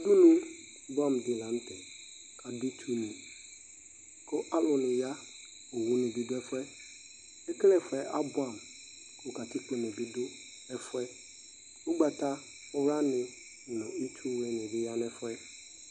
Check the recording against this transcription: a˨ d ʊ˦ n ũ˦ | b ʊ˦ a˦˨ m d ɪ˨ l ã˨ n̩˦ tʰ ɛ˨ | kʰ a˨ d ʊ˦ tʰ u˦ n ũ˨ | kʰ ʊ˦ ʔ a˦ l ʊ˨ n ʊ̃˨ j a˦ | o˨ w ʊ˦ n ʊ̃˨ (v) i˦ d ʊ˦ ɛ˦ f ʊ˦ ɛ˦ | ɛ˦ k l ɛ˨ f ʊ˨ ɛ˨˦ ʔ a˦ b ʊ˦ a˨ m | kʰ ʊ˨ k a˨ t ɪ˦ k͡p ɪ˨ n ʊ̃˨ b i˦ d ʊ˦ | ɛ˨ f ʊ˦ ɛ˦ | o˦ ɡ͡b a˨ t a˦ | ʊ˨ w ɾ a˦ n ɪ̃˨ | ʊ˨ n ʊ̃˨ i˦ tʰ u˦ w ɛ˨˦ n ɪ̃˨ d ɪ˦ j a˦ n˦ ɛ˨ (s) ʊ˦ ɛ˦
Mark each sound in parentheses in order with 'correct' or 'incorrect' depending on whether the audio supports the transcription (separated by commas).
incorrect, incorrect